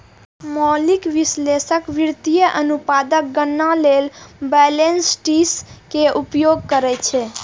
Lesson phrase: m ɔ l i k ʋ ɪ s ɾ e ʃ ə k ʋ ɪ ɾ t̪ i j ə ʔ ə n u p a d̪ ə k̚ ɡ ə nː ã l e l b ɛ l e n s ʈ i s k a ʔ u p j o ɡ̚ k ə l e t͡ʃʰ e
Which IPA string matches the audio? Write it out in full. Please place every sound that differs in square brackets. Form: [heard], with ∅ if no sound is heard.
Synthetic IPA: m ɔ l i k ʋ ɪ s [l] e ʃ ə k ʋ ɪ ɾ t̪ i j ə ʔ ə n u p a d̪ ə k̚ ɡ ə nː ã l e l b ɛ l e n s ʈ i s k [e] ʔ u p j o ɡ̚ k ə [ɾ] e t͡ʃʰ e